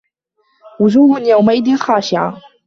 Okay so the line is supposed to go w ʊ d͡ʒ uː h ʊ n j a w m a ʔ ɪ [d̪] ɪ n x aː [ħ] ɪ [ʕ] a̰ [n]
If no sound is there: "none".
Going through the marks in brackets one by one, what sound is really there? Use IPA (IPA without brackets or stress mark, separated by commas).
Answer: d̪, ʃ, ʕ, none